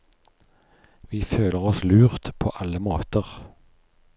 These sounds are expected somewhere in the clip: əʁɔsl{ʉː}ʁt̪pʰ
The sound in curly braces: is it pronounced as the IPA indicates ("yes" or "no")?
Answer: yes